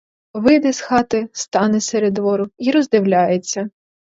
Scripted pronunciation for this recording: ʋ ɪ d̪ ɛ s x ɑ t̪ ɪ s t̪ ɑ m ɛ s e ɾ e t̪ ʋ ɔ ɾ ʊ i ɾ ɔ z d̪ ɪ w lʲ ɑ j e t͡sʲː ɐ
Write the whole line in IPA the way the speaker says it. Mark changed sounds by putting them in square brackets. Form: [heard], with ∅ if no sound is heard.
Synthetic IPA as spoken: ʋ ɪ d̪ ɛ s x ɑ t̪ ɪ s t̪ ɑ [n] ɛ s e ɾ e [d̪] ʋ ɔ ɾ ʊ i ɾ ɔ z d̪ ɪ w lʲ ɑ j e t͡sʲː ɐ